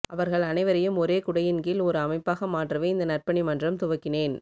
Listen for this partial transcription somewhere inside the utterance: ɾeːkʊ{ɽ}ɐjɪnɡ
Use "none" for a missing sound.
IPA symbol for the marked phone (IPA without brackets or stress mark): ɽ